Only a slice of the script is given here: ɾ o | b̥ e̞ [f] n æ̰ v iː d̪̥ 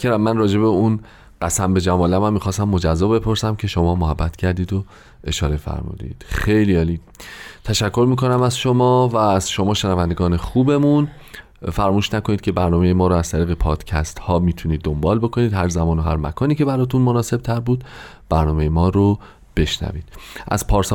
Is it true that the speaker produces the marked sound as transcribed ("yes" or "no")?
no